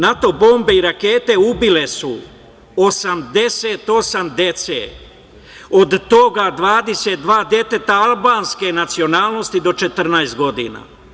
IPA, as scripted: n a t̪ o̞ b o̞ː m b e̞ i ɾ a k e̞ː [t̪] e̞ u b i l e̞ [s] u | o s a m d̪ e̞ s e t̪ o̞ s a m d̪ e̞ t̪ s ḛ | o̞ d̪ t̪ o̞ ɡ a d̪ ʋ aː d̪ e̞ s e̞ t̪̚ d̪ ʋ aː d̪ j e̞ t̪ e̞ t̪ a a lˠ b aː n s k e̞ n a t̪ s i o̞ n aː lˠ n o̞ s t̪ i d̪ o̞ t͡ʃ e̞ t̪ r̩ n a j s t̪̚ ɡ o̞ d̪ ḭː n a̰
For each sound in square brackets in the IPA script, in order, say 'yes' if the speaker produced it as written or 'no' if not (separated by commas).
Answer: yes, yes